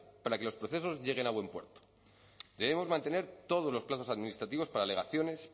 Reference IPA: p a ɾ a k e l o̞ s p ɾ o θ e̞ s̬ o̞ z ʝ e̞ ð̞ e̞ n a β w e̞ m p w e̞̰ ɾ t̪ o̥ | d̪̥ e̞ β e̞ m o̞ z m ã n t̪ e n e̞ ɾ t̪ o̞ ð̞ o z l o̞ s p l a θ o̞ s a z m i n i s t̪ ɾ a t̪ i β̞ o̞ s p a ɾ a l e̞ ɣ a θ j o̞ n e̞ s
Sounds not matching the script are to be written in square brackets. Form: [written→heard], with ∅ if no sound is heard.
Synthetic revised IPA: p a ɾ a k e l o̞ s p ɾ o θ e̞ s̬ o̞ z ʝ e̞ [ð̞→ɣ̞] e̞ n a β w e̞ m p w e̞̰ ɾ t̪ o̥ | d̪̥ e̞ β e̞ m o̞ z m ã n t̪ e n e̞ ɾ t̪ o̞ ð̞ o z l o̞ s p l a θ o̞ s a [z→ð] m i n i s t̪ ɾ a t̪ i β̞ o̞ s p a ɾ a l e̞ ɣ a θ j o̞ n e̞ s